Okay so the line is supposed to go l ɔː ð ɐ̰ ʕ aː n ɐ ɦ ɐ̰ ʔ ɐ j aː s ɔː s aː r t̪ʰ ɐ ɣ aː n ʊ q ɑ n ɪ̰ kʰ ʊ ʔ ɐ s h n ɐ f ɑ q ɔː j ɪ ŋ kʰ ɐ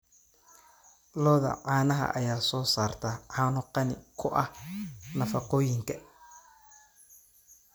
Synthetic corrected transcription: l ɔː ð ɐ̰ ʕ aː n ɐ ɦ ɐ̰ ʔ ɐ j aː s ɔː s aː r t̪ʰ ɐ ʕ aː n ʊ q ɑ n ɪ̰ kʰ ʊ ʔ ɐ h n ɐ f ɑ q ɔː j ɪ ŋ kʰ ɐ